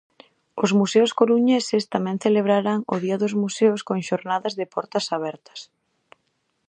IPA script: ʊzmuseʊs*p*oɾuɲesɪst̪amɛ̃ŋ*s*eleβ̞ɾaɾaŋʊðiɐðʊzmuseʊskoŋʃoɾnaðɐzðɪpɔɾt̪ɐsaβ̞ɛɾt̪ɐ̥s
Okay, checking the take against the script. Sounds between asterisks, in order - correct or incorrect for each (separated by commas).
incorrect, incorrect